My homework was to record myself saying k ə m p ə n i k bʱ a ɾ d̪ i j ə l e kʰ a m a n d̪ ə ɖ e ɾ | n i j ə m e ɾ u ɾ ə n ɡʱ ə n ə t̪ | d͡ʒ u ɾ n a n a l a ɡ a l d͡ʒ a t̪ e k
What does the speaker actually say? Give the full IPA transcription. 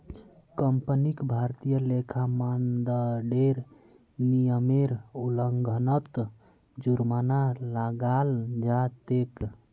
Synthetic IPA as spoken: k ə m p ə n i k bʱ a ɾ t̪ i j ə l e kʰ a m a n d̪ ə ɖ e ɾ | n i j ə m e ɾ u l ə ŋ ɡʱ ə n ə t̪ | d͡ʒ u ɾ m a n a l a ɡ a l d͡ʒ a t̪ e k